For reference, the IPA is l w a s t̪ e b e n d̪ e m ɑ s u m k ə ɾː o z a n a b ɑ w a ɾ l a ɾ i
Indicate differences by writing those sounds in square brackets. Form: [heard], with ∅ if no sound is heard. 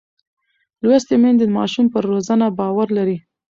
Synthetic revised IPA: l w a s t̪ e [m] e n d̪ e m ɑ [ʃ] u m [p] ə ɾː o z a n a b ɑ w a ɾ l a ɾ i